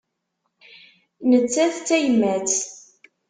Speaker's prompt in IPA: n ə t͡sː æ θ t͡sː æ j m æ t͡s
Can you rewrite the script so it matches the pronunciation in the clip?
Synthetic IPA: n ə t͡sː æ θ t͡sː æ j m æ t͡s